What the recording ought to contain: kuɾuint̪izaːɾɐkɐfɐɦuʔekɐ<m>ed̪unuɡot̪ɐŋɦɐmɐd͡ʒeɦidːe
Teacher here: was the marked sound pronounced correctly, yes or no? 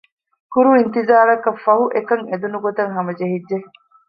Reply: no